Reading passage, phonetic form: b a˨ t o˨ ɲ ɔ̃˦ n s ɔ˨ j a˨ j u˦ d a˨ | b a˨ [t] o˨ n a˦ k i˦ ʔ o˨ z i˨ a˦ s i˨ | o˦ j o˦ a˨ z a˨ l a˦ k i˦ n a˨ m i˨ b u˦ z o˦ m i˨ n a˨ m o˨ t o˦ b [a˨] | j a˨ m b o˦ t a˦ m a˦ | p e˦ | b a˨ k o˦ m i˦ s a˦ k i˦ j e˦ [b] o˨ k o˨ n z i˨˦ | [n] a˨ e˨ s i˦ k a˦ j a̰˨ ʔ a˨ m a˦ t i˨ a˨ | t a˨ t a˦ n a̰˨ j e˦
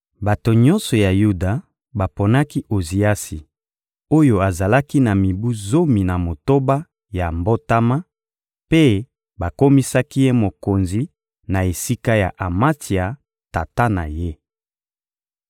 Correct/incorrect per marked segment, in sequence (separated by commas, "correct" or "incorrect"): incorrect, incorrect, incorrect, correct